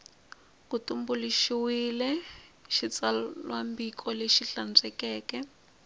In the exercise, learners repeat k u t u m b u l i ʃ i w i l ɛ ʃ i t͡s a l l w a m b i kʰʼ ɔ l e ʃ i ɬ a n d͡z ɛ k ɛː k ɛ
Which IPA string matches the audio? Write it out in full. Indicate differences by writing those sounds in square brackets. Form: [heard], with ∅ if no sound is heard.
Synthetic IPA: k u t u m b u l i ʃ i w i l ɛ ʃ i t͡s a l l w a m b i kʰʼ ɔ l e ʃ i ɬ a n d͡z ɛ k ɛː k ɛ